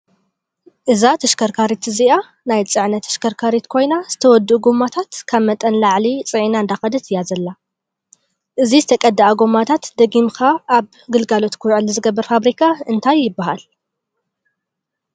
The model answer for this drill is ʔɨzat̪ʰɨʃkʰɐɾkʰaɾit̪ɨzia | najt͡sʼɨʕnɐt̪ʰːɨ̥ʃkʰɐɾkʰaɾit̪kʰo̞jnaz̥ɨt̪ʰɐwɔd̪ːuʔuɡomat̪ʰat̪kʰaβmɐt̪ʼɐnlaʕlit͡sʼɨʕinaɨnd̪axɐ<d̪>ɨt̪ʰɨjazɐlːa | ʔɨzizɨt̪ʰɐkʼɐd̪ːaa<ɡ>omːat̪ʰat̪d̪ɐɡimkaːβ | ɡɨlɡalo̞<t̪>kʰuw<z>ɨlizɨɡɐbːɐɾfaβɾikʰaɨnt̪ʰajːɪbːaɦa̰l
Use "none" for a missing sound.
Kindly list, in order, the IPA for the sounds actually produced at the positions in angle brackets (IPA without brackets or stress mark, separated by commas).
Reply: d̪, ɡ, t̪, ʕ